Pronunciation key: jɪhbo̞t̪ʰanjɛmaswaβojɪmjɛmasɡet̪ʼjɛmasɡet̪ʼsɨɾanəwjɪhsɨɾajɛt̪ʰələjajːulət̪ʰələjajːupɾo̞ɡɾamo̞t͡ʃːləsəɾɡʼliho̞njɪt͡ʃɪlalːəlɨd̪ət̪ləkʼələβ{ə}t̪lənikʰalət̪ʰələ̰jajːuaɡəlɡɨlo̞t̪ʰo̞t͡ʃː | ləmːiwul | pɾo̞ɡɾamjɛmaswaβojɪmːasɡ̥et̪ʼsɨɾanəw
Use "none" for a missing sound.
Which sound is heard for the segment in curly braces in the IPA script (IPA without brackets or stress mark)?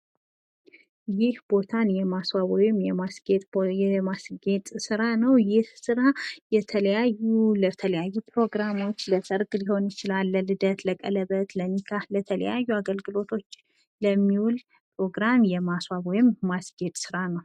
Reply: ə